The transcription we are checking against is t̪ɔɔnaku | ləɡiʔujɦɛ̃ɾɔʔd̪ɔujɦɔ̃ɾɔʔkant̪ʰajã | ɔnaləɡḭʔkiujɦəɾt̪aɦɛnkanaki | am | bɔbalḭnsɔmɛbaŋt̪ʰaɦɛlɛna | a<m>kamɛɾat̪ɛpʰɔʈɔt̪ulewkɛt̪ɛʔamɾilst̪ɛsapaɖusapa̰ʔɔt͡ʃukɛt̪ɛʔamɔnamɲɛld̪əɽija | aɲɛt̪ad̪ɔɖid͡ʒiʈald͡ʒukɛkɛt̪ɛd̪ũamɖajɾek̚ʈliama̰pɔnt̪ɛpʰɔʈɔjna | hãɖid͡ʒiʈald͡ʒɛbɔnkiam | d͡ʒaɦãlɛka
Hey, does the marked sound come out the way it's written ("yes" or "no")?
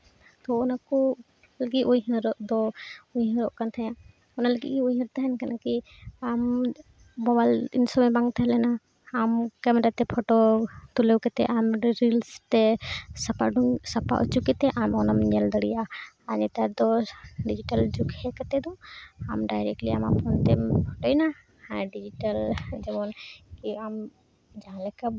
yes